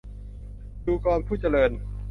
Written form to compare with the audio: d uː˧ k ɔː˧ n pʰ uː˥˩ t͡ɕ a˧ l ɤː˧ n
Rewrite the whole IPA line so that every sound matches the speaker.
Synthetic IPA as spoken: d uː˧ k ɔː˧ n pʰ uː˥˩ t͡ɕ a˧ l ɤː˧ n

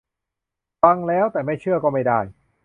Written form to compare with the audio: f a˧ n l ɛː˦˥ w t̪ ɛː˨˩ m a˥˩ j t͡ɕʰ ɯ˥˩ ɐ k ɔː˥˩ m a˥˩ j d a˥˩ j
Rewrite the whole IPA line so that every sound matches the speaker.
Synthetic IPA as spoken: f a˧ ŋ l ɛː˦˥ w t̪ ɛː˨˩ m a˥˩ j t͡ɕʰ ɯ˥˩ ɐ k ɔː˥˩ m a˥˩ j d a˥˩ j

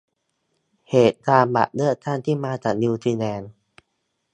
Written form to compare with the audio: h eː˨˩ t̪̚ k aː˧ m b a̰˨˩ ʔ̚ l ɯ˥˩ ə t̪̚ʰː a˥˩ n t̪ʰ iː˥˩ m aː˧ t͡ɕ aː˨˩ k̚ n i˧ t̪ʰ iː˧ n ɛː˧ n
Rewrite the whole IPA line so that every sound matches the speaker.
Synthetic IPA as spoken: h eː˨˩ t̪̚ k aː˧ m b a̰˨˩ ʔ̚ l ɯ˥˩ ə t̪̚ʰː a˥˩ n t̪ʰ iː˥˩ m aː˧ t͡ɕ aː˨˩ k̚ n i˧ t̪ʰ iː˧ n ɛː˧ n

